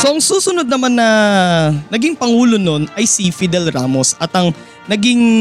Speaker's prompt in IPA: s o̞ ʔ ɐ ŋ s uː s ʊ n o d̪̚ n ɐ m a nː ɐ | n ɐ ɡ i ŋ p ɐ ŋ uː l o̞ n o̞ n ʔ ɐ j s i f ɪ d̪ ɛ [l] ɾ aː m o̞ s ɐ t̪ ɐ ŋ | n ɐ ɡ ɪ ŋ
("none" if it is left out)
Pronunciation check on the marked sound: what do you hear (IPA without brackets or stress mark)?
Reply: l